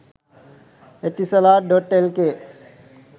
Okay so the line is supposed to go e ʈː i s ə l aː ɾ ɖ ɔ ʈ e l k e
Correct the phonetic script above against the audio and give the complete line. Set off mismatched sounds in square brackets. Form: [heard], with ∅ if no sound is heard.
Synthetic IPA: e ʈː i s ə l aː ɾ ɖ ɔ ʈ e l k e